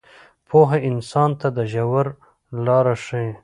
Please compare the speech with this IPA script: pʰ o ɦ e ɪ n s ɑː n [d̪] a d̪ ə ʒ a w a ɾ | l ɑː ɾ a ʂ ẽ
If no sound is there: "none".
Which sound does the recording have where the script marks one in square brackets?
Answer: t̪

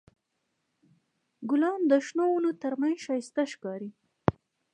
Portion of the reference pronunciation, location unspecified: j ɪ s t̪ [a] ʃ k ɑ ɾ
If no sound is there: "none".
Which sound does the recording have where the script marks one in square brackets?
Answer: a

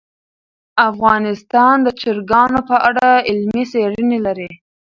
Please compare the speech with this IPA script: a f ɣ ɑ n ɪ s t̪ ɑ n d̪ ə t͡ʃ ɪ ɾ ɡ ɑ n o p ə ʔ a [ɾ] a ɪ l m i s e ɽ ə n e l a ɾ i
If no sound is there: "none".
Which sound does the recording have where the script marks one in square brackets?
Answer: ɽ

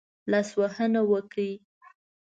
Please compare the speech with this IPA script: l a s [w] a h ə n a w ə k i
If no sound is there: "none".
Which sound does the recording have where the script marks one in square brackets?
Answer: w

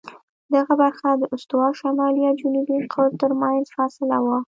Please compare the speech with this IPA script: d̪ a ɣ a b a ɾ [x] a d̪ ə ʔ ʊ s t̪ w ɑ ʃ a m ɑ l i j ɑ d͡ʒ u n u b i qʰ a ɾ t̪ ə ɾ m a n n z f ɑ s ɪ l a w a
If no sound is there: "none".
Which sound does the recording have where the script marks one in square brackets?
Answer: x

